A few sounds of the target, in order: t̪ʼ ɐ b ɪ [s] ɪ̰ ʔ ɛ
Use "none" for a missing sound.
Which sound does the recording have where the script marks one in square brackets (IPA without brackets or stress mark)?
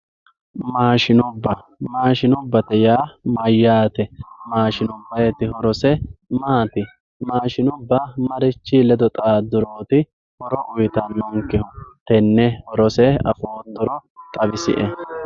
s